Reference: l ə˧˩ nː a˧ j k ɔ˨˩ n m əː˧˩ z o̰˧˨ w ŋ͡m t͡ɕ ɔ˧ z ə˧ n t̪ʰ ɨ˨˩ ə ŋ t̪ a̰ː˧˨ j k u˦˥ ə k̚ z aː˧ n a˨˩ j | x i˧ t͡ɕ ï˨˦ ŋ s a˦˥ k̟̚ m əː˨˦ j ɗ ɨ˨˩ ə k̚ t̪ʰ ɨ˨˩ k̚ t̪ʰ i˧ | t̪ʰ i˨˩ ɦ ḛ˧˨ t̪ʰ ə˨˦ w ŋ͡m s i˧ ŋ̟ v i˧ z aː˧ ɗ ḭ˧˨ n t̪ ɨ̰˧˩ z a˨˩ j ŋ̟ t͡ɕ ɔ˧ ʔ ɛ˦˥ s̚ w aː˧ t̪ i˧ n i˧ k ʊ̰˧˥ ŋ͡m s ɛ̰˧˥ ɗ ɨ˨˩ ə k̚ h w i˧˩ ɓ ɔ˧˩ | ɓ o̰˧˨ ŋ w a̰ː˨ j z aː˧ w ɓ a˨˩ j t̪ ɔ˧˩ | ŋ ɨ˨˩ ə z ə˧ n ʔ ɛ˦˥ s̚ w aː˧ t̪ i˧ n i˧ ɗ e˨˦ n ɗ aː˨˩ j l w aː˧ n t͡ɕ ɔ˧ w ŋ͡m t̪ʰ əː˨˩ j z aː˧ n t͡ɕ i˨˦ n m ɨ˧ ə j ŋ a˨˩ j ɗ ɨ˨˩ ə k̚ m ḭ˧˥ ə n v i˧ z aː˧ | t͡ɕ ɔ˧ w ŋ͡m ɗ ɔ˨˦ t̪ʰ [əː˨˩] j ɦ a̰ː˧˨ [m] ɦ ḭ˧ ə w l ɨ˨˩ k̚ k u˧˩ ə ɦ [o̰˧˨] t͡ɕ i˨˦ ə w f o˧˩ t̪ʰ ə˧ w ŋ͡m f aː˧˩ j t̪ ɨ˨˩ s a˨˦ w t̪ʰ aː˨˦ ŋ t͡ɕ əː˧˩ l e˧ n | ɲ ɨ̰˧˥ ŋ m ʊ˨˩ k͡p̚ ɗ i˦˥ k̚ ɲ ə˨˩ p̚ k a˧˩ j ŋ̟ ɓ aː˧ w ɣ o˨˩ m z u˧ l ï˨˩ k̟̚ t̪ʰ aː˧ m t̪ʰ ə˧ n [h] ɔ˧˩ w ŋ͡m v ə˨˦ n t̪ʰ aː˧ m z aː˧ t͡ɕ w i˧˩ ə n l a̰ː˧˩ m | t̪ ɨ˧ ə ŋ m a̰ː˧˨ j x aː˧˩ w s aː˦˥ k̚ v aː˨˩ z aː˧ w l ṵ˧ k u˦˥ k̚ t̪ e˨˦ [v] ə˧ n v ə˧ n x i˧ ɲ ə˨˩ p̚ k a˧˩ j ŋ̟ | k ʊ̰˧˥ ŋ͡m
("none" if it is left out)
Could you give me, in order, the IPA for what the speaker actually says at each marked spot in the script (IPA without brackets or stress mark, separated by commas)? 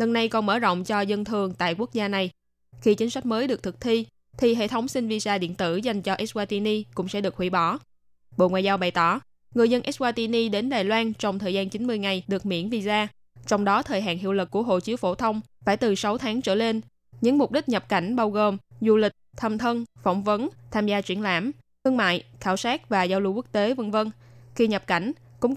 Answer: əː˨˩, n, o̰˧˨, f, v